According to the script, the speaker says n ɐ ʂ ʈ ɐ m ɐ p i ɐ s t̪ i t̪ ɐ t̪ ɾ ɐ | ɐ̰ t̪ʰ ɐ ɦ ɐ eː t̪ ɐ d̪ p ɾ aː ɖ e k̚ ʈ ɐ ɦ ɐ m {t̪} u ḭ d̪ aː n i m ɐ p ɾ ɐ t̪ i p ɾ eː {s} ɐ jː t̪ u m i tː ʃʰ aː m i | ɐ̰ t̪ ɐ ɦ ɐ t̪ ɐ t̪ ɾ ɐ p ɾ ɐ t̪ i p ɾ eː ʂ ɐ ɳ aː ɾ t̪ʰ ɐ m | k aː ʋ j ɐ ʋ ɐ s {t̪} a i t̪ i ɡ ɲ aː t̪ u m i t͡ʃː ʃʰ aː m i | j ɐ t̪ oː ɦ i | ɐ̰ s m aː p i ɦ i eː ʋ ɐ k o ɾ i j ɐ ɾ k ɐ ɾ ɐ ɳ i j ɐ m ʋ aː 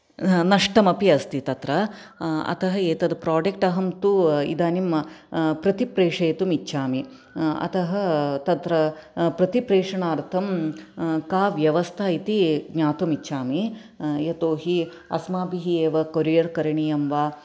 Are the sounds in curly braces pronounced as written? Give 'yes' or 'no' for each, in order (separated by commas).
yes, no, no